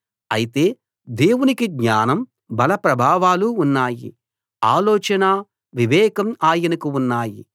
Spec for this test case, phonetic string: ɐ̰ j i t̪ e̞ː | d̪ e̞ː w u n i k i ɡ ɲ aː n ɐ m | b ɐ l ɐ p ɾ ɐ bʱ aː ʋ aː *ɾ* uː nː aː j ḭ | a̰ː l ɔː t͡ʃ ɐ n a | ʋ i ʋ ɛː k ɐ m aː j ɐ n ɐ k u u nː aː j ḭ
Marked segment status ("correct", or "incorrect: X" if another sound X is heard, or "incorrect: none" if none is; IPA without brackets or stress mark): incorrect: l